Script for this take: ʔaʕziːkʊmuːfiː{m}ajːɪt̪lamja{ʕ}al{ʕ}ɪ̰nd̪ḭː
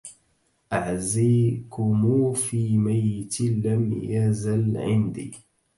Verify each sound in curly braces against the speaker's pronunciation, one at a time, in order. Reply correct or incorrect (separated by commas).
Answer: correct, incorrect, correct